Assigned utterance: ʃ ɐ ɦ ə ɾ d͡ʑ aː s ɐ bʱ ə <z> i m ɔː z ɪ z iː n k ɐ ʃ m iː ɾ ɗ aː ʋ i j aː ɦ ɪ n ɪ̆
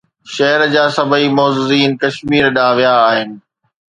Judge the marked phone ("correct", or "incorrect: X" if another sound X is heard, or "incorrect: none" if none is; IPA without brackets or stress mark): incorrect: none